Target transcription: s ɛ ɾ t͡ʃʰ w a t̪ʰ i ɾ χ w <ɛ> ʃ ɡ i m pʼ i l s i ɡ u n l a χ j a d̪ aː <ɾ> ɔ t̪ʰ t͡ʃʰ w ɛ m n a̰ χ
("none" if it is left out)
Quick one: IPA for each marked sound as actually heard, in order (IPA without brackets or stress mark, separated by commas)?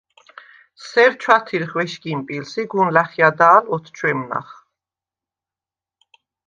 ɛ, l